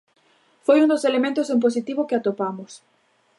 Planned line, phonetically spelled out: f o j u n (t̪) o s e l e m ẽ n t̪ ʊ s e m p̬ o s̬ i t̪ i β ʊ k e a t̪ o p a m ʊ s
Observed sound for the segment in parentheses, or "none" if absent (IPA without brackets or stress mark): d̪